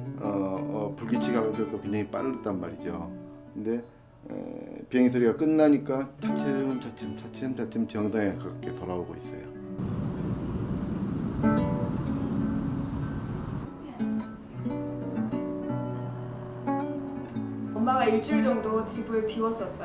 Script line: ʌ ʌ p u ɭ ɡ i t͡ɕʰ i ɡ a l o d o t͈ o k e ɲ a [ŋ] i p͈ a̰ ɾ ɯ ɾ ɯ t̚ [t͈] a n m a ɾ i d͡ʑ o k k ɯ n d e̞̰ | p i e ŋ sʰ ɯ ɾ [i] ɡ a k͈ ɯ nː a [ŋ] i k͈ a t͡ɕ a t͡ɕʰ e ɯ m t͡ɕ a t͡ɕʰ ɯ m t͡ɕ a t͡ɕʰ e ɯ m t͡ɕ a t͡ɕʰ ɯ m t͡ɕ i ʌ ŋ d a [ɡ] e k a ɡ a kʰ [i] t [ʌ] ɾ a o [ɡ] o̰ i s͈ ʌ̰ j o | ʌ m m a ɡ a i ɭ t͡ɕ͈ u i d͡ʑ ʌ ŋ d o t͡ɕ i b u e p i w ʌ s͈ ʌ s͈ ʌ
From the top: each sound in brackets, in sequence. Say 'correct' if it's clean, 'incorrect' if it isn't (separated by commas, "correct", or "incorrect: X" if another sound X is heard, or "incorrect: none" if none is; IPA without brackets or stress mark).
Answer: correct, correct, correct, incorrect: ɲ, incorrect: ŋ, incorrect: e, correct, correct